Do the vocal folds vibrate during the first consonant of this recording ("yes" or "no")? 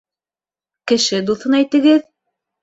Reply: no